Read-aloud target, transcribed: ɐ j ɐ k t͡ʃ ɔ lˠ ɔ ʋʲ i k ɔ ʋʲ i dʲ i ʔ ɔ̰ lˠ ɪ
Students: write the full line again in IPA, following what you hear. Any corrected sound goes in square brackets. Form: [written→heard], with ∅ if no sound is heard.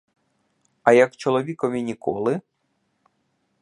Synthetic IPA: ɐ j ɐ k t͡ʃ ɔ lˠ ɔ ʋʲ i k ɔ ʋʲ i [dʲ→nʲ] i [ʔ→k] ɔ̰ lˠ ɪ